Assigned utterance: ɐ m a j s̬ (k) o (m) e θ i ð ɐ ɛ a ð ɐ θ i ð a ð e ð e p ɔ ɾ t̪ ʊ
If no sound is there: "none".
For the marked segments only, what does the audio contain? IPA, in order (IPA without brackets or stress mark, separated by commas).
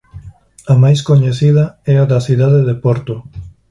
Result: k, ɲ